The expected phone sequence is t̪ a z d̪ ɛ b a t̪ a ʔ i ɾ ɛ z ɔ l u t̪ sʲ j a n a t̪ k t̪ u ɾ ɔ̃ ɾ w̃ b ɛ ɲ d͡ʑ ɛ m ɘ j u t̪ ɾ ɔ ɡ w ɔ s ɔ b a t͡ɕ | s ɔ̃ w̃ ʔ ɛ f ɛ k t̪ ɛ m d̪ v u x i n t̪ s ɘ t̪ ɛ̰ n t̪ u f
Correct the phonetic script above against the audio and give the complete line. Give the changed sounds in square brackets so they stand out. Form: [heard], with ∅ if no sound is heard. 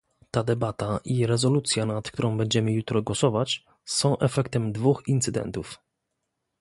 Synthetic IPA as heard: t̪ a [∅] d̪ ɛ b a t̪ a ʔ i ɾ ɛ z ɔ l u t̪ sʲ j a n a t̪ k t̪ u ɾ ɔ̃ [∅] w̃ b ɛ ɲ d͡ʑ ɛ m ɘ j u t̪ ɾ ɔ ɡ w ɔ s ɔ [v] a t͡ɕ | s ɔ̃ w̃ ʔ ɛ f ɛ k t̪ ɛ m d̪ v u x i n t̪ s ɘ [d̪] ɛ̰ n t̪ u f